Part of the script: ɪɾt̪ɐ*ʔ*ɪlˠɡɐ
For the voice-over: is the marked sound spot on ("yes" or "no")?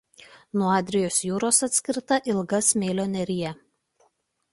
yes